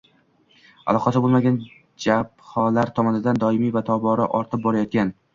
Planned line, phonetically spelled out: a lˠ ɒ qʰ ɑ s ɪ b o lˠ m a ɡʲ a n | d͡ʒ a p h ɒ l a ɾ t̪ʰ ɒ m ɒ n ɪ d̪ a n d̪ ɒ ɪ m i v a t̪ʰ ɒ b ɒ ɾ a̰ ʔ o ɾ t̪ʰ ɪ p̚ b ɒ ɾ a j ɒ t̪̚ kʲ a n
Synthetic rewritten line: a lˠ ɒ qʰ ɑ s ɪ b o lˠ m a ɡʲ a n | d͡ʒ a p h ɒ l a ɾ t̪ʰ ɒ m ɒ n ɪ d̪ a n d̪ ɒ ɪ m i v a t̪ʰ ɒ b ɒ ɾ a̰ ʔ ɒ ɾ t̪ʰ ɪ p̚ b ɒ ɾ a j ɒ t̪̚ kʲ a n